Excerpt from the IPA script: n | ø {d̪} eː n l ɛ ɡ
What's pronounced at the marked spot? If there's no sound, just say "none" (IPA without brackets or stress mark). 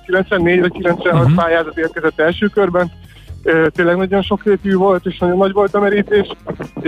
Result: t̪